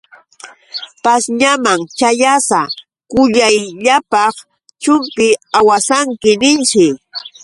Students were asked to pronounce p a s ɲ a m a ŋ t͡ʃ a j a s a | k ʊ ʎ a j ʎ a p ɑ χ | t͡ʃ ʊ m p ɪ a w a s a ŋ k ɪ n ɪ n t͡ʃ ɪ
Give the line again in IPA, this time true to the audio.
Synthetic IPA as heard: p a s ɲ a m a ŋ t͡ʃ a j a s a | k ʊ ʎ a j ʎ a p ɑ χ | t͡ʃ ʊ m p ɪ a w a s a ŋ k ɪ n ɪ n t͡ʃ ɪ